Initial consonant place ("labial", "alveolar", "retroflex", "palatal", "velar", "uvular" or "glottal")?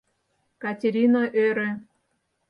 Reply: velar